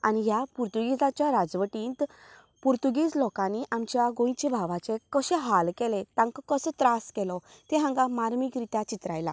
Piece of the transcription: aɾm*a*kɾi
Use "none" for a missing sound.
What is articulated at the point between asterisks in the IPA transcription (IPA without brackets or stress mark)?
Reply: i